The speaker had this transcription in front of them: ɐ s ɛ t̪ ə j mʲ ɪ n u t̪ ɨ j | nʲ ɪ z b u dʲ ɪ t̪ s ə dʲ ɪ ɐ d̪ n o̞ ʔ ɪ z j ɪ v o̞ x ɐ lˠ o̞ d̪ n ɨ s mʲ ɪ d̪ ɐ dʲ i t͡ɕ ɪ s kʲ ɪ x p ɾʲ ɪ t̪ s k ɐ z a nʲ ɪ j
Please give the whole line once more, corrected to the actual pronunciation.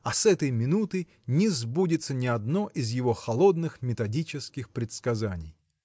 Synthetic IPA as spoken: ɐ s ɛ t̪ ə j mʲ ɪ n u t̪ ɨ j | nʲ ɪ z b u dʲ ɪ t̪ s ə nʲ ɪ ɐ d̪ n o̞ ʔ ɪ z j ɪ v o̞ x ɐ lˠ o̞ d̪ n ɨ x mʲ ɪ t̪ ɐ dʲ i t͡ɕ ɪ s kʲ ɪ x p ɾʲ ɪ t̪ s k ɐ z a nʲ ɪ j